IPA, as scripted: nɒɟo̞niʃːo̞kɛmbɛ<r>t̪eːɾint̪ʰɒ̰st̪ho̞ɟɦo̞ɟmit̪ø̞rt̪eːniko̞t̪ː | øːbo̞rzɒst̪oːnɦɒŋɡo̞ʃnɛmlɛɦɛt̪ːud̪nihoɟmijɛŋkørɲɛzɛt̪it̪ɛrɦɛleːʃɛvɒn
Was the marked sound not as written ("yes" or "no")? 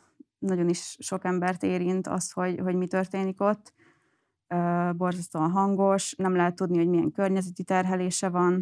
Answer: no